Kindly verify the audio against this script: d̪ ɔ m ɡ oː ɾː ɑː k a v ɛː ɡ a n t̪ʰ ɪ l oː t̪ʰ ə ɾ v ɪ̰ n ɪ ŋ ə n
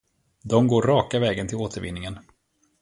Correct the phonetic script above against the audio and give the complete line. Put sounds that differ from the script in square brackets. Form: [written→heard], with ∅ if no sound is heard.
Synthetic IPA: d̪ ɔ m ɡ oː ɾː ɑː k a v ɛː ɡ [a→ə] n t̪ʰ ɪ l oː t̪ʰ ə ɾ v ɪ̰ [n→nː] ɪ ŋ ə n